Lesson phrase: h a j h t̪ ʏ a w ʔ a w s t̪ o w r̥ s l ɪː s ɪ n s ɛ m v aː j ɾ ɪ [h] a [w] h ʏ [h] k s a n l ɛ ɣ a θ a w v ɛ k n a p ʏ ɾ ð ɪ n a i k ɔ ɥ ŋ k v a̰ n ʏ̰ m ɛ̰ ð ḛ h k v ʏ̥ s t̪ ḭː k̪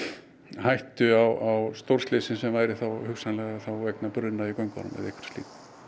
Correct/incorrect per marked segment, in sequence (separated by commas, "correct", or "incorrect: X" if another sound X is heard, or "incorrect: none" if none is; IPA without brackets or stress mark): incorrect: θ, correct, incorrect: none